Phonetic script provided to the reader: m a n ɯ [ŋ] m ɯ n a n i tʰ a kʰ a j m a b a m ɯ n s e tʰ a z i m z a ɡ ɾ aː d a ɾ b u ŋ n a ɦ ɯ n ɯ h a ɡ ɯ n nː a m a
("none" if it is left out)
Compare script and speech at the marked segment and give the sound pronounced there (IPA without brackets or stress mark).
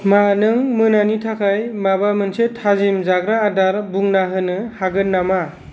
ŋ